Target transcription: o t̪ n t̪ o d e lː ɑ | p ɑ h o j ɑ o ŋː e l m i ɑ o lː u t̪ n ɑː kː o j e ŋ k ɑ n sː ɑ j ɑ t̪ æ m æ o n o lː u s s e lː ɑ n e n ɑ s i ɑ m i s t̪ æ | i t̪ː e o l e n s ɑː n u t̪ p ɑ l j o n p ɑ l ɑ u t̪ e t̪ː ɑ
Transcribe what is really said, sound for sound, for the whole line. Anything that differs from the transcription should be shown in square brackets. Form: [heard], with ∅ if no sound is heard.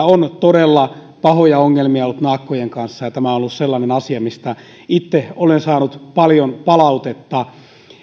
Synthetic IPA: o [∅] n t̪ o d e lː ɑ | p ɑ h o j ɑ o ŋː e l m i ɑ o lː u t̪ n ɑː kː o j e ŋ k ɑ n sː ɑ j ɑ t̪ æ m æ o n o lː u s s e lː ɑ n e n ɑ s i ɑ m i s t̪ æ | i t̪ː e o l e n s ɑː n u t̪ p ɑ l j o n p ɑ l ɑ u t̪ e t̪ː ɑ